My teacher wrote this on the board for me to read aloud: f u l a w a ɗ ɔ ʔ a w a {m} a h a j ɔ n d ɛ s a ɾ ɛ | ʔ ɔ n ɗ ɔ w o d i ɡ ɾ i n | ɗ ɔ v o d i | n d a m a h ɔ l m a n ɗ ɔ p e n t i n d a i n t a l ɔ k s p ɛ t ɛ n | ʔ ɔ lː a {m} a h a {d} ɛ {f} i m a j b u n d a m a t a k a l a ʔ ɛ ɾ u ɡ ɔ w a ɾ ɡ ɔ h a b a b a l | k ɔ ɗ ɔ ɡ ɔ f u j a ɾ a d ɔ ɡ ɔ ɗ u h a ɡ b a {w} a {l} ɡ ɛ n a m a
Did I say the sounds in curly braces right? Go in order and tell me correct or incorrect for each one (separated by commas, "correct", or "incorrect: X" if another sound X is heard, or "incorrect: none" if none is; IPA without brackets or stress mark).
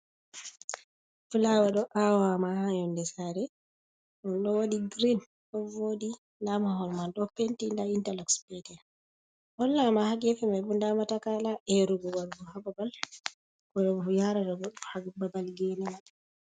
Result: correct, correct, incorrect: ɡ, correct, incorrect: b, correct